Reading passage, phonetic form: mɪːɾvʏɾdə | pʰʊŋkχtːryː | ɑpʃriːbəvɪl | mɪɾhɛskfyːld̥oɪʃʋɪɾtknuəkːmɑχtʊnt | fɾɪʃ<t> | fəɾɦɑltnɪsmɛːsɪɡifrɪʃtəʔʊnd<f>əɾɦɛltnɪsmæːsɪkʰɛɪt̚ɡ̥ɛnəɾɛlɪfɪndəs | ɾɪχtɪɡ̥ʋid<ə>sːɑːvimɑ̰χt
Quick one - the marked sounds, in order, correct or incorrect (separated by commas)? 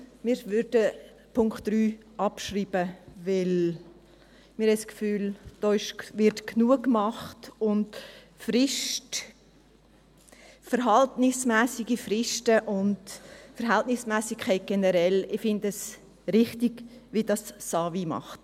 correct, correct, incorrect